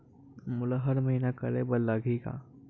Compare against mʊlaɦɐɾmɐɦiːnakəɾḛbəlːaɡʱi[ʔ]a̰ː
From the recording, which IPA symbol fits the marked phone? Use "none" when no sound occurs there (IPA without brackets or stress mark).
k